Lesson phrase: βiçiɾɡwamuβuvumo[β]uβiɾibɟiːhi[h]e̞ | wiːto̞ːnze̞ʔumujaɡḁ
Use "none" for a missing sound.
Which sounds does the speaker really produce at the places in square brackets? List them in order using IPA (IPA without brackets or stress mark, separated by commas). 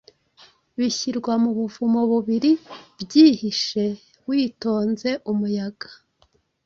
β, ʃ